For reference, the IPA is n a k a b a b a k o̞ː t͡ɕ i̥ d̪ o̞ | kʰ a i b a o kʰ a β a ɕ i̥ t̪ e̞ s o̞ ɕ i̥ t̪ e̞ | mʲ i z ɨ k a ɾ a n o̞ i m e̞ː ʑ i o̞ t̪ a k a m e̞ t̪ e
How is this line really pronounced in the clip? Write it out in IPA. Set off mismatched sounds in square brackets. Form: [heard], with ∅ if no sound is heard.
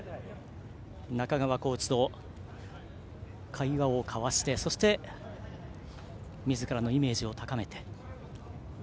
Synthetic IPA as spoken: n a k a [ɡ] a [β] a k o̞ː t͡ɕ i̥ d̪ o̞ | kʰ a i [β] a o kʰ a β a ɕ i̥ t̪ e̞ s o̞ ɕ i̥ t̪ e̞ | mʲ i z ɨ k a ɾ a n o̞ i m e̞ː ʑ i o̞ t̪ a k a m e̞ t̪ e